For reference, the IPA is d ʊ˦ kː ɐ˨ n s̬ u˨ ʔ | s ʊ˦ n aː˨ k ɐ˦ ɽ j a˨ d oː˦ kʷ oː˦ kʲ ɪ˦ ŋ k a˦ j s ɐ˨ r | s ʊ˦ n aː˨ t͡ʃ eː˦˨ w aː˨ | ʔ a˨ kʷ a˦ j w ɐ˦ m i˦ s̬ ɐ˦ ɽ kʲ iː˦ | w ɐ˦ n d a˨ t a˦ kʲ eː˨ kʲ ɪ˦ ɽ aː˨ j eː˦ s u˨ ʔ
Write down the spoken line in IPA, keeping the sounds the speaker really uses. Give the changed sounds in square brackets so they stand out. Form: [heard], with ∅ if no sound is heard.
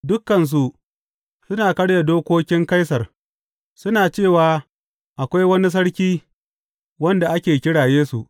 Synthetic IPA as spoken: d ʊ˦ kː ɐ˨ n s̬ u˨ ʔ | s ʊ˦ n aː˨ k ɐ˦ ɽ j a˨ d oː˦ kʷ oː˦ kʲ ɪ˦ ŋ k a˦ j s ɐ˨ r | s ʊ˦ n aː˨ t͡ʃ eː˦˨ w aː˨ | ʔ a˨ kʷ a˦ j w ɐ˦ [n] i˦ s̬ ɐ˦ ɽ kʲ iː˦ | w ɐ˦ n d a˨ [ʔ] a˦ kʲ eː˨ kʲ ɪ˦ ɽ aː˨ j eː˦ s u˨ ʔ

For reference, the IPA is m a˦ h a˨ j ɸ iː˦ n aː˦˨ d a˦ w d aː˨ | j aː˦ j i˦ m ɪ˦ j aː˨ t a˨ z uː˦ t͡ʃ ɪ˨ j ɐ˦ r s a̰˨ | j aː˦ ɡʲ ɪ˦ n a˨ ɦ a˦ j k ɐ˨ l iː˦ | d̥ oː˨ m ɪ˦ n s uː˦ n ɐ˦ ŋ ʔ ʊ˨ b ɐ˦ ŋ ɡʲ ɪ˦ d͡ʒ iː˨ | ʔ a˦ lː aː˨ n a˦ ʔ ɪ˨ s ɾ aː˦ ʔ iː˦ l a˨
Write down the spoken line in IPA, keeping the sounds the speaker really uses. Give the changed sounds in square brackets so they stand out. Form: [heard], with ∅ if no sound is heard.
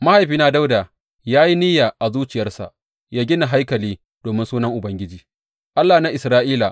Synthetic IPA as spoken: m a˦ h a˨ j ɸ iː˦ n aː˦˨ d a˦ w d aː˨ | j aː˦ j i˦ [n] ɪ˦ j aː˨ [ʔ] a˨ z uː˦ t͡ʃ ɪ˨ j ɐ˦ r s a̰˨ | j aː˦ ɡʲ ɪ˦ n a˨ ɦ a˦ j k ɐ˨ l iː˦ | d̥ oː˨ m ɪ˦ n s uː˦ n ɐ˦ ŋ ʔ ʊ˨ b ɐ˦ ŋ ɡʲ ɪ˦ d͡ʒ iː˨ | ʔ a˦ lː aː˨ n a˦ ʔ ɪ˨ s ɾ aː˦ ʔ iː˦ l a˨

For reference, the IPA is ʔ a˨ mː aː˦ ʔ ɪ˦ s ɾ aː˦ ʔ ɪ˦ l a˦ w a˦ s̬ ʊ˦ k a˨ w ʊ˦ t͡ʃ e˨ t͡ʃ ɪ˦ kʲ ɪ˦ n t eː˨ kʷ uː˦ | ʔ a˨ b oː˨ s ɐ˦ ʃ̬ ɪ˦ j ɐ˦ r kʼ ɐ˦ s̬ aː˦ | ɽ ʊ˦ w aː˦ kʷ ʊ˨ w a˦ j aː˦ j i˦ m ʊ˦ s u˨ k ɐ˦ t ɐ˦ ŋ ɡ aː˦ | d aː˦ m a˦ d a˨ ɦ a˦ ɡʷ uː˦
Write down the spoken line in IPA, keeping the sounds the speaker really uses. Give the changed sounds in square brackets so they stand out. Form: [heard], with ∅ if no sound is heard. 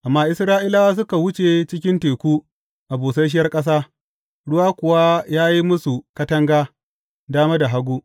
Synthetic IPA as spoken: ʔ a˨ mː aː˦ ʔ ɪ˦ s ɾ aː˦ ʔ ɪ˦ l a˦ w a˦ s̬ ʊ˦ k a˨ w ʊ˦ t͡ʃ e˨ t͡ʃ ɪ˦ kʲ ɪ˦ n t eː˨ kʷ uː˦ | ʔ a˨ b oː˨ s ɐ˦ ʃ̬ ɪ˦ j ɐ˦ r kʼ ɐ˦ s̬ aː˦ | ɽ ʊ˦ w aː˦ kʷ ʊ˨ w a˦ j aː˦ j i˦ m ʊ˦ s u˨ k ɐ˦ t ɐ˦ ŋ ɡ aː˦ | d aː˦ m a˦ d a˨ ɦ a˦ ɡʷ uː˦

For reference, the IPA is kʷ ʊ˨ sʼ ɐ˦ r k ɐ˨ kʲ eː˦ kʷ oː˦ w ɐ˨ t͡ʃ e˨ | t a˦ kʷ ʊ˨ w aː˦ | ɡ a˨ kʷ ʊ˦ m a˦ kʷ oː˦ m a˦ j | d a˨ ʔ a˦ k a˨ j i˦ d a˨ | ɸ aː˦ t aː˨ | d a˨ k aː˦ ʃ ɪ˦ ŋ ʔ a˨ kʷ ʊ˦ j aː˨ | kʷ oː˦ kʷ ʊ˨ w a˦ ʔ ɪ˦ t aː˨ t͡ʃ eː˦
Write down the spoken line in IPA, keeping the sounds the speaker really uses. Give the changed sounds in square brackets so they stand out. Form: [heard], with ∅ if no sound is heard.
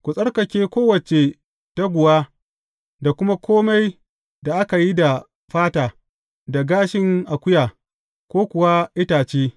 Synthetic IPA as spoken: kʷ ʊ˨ sʼ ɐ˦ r k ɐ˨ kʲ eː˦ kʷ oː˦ w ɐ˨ t͡ʃ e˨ | t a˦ [ɡʷ] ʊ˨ w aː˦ | [d] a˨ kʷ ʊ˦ m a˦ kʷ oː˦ m a˦ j | d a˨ ʔ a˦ k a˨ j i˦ d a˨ | ɸ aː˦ t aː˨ | d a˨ [ɡ] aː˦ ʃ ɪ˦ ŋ ʔ a˨ kʷ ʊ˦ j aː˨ | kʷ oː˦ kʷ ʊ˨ w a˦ ʔ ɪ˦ t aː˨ t͡ʃ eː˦

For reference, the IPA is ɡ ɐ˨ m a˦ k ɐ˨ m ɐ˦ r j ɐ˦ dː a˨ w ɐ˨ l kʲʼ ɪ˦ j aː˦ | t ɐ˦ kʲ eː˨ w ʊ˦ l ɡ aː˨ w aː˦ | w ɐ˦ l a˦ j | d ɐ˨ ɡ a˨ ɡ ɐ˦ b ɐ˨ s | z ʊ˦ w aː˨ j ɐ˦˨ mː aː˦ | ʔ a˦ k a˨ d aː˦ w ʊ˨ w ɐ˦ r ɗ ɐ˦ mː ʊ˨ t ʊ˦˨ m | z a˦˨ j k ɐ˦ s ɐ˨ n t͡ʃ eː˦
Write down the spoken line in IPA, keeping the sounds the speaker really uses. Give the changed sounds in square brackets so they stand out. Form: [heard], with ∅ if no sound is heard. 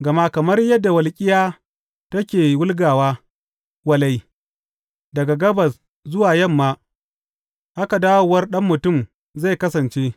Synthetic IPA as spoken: ɡ ɐ˨ m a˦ k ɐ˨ m ɐ˦ r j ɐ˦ dː a˨ w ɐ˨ l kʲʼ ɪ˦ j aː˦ | t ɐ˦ kʲ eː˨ w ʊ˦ l ɡ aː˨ w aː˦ | w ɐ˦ l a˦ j | d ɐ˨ ɡ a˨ ɡ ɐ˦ b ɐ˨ s | z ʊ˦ w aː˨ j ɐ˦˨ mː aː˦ | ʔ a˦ k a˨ d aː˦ w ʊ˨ w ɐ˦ r ɗ ɐ˦ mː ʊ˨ t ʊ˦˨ m | z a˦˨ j k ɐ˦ s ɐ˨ n t͡ʃ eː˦

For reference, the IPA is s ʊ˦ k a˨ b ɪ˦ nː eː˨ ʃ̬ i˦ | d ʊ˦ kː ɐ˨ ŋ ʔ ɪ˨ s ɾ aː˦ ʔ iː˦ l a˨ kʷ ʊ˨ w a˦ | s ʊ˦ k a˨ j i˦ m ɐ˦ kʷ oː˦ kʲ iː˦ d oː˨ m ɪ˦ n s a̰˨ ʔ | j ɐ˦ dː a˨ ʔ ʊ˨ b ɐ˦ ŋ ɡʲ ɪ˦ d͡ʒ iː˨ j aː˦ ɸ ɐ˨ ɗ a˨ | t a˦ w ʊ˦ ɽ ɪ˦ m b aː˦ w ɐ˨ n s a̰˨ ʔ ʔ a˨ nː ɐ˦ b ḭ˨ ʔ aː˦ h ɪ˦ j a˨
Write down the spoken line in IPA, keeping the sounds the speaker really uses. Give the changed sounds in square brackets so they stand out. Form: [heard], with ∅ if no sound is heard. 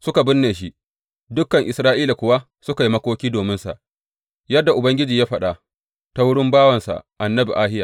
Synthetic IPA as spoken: s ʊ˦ k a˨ b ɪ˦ nː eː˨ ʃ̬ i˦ | d ʊ˦ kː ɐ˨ ŋ ʔ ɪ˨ s ɾ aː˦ ʔ iː˦ l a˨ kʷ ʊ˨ w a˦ | s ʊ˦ k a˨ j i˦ m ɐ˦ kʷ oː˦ kʲ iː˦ d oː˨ m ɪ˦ n s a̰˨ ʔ | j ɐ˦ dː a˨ ʔ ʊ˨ b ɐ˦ ŋ ɡʲ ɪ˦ d͡ʒ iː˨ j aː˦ ɸ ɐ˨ ɗ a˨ | t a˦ w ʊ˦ ɽ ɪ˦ m b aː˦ w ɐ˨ n s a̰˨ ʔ ʔ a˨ nː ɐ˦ b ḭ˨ ʔ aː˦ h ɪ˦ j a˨

